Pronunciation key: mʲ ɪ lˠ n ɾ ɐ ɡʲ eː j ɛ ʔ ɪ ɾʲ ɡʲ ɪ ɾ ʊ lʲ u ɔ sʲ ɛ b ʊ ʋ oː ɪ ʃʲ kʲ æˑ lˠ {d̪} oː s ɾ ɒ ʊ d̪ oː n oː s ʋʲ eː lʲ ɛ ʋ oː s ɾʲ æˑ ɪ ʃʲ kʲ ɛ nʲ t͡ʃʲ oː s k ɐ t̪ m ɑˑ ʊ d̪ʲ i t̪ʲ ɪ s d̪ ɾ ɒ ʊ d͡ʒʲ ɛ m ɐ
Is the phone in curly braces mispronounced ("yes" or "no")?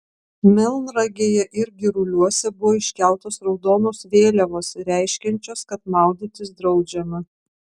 yes